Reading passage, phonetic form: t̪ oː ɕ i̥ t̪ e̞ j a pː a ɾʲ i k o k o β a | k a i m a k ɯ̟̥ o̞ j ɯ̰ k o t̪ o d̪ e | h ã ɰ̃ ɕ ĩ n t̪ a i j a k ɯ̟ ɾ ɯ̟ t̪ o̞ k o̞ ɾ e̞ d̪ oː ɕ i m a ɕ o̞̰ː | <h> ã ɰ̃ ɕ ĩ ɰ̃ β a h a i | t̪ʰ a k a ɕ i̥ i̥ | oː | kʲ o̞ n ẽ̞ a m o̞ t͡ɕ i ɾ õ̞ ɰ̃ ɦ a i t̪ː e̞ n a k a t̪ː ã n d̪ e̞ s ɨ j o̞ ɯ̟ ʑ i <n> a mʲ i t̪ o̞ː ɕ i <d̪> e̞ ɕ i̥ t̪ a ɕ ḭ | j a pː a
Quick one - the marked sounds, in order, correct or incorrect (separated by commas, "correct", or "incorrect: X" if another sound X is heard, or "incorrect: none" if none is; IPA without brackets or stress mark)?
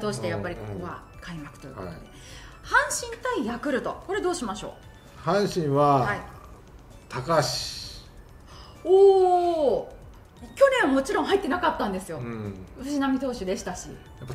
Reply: correct, correct, correct